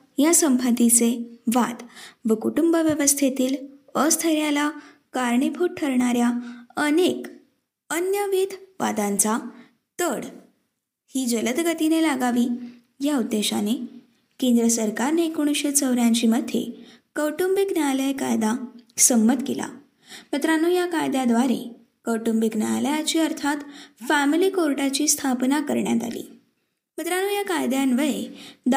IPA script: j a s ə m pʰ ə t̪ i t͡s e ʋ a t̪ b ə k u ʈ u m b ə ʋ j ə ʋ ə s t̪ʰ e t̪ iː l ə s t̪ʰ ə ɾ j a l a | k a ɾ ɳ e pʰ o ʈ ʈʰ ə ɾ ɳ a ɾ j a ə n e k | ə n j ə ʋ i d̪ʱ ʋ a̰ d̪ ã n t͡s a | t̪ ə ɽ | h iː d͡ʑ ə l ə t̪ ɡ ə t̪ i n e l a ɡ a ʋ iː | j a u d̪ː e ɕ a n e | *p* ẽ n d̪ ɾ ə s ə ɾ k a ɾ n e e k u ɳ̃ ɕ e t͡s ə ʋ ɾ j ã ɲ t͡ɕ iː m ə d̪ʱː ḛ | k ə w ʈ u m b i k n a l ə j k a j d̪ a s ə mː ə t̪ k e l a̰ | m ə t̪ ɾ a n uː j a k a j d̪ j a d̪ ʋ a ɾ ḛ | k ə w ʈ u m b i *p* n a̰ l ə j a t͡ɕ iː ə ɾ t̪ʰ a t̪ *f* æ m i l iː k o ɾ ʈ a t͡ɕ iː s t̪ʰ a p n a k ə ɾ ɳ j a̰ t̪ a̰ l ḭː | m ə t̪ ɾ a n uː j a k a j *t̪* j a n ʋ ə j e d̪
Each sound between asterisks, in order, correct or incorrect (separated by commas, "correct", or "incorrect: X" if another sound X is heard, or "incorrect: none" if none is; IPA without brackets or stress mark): incorrect: k, incorrect: k, correct, incorrect: d̪